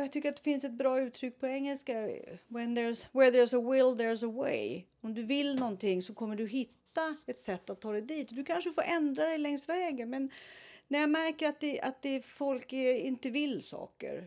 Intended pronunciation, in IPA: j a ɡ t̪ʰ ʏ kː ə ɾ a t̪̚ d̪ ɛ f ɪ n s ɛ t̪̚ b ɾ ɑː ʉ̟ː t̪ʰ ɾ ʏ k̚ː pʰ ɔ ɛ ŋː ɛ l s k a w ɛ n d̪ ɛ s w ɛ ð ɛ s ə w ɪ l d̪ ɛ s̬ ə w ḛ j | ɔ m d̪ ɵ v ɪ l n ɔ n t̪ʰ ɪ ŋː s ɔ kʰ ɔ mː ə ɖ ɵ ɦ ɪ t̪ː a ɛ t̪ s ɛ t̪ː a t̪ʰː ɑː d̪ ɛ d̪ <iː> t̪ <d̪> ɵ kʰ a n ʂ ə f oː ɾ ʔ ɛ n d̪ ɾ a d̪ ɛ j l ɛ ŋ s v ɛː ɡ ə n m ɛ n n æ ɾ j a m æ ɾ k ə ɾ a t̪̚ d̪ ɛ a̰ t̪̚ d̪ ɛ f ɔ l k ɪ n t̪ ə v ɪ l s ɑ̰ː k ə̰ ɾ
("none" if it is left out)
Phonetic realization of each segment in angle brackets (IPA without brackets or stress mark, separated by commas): iː, d̪